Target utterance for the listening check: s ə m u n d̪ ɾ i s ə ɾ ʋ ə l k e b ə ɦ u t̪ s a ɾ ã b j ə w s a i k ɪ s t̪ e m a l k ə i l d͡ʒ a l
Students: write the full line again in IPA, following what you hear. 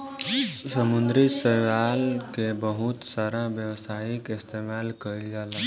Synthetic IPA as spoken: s ə m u n d̪ ɾ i s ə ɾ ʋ a l k e b ə ɦ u t̪ s a ɾ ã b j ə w s a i k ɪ s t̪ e m a l k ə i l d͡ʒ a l